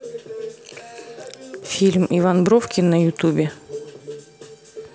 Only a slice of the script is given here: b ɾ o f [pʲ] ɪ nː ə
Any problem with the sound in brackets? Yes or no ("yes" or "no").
yes